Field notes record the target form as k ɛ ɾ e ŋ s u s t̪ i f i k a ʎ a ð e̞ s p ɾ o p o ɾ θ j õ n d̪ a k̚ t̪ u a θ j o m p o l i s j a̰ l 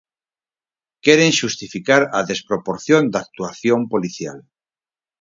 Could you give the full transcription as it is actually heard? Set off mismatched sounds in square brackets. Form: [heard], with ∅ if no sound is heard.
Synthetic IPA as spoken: k [e] ɾ e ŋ [ʃ] u s t̪ i f i k a [ɾ] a ð e̞ s p ɾ o p o ɾ θ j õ n d̪ a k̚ t̪ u a θ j o m p o l i [θ] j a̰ l

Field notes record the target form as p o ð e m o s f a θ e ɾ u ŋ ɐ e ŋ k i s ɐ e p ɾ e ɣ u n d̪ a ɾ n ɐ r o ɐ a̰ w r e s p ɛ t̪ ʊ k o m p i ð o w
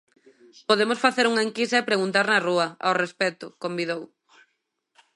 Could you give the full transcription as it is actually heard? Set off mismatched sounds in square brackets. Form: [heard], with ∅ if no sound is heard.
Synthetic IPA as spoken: p o ð e m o s f a θ e ɾ u ŋ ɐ e ŋ k i s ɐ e p ɾ e ɣ u n [t̪] a ɾ n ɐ r [u] ɐ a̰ w r e s p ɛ t̪ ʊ k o m [b] i ð o w

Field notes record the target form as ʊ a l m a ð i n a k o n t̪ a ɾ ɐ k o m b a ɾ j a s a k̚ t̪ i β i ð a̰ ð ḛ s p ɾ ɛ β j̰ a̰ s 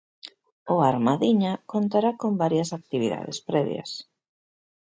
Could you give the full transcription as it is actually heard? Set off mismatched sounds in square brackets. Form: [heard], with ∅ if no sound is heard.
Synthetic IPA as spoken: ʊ a [ɾ] m a ð i [ɲ] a k o n t̪ a ɾ [a] k o m b a ɾ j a s a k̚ t̪ i β i ð a̰ ð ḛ s p ɾ ɛ β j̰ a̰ s

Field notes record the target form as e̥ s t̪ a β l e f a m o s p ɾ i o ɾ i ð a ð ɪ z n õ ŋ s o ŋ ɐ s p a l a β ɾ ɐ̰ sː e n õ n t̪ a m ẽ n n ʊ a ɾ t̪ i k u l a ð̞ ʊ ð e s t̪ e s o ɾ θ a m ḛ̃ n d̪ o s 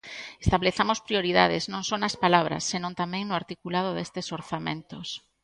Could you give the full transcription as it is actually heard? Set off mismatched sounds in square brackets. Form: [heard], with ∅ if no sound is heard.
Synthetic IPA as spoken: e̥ s t̪ a β l e [θ] a m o s p ɾ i o ɾ i ð a ð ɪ z n õ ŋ s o [n] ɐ s p a l a β ɾ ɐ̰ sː e n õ n t̪ a m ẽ [ŋ] n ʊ a ɾ t̪ i k u l a ð̞ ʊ ð e s t̪ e s o ɾ θ a m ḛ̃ n [t̪] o s

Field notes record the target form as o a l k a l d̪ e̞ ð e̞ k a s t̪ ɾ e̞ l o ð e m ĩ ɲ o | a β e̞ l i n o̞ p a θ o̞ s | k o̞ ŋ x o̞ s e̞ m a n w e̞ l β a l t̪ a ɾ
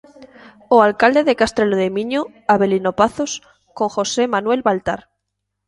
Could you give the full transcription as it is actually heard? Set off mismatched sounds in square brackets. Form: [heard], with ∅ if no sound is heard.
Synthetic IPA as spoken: o a l k a l d̪ e̞ ð e̞ k a s t̪ ɾ e̞ l o ð e m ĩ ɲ o | a β e̞ l i n o̞ p a θ o̞ s | k o̞ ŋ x o̞ s e̞ m a n w e̞ l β a l t̪ a ɾ

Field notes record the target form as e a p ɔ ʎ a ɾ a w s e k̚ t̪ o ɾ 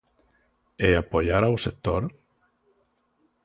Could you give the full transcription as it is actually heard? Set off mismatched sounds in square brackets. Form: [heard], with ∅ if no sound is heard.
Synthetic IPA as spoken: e a p [o] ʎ a ɾ a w s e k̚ t̪ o ɾ

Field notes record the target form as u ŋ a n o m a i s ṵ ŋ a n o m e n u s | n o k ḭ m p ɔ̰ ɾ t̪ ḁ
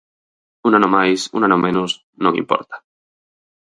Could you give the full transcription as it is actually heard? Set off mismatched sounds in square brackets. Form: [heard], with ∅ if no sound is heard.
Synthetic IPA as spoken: u [n] a n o m a [j] s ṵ [n] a n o m e n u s | n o k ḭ m p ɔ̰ ɾ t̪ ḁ

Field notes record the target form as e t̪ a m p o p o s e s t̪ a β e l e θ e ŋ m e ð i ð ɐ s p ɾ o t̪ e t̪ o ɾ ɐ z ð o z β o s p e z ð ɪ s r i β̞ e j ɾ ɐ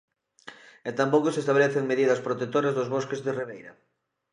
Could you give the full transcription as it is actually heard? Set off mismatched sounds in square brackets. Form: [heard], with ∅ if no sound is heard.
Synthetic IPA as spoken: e t̪ a m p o [k] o s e s t̪ a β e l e θ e ŋ m e ð i ð ɐ s p ɾ o t̪ e t̪ o ɾ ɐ z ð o z β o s [k] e z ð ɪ [∅] r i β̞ e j ɾ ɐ

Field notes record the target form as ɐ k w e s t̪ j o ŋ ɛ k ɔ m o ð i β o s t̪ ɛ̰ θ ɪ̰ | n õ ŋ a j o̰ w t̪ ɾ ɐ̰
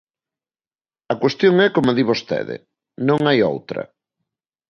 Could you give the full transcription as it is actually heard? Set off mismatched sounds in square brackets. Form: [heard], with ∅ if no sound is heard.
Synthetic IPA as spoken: ɐ k w e s t̪ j o ŋ ɛ k [o] m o ð i β o s t̪ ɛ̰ [ð] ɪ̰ | n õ ŋ a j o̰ w t̪ ɾ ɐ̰

